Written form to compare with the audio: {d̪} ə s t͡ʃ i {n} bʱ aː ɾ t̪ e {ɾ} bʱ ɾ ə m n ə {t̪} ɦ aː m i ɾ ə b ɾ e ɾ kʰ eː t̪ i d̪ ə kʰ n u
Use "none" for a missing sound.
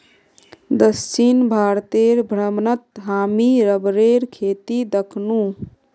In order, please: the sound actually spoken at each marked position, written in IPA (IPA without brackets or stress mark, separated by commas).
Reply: d̪, n, ɾ, t̪